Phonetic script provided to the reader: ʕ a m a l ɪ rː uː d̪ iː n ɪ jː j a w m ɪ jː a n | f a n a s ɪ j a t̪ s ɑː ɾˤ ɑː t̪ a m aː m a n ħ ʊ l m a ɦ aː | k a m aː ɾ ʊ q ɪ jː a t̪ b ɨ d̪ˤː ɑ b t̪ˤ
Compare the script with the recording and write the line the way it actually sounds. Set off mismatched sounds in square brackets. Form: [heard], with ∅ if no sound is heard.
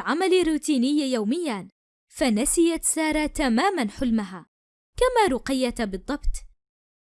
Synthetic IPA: ʕ a m a l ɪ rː uː [t̪] iː n ɪ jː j a w m ɪ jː a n | f a n a s ɪ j a t̪ s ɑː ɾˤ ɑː t̪ a m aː m a n ħ ʊ l m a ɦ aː | k a m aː ɾ ʊ q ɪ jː a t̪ b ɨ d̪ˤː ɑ b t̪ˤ